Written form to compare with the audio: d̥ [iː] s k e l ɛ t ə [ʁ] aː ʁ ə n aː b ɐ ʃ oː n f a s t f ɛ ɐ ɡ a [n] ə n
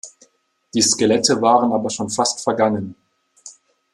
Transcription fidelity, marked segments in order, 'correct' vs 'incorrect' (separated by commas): correct, incorrect, incorrect